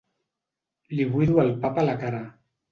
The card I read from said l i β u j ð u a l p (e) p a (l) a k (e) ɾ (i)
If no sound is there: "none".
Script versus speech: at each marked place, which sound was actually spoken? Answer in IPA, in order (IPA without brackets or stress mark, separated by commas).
a, l, a, a